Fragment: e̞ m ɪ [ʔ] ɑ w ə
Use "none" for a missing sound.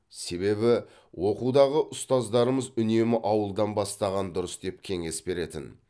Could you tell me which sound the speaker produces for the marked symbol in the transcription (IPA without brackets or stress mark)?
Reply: ʔ